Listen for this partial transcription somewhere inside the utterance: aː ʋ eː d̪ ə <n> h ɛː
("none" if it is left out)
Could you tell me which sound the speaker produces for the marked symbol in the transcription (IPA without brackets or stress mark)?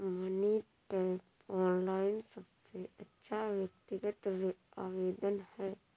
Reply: n